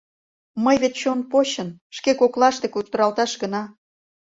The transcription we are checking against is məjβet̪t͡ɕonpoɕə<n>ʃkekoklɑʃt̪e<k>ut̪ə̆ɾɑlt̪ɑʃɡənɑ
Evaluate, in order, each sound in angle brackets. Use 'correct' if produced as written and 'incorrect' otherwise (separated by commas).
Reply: correct, correct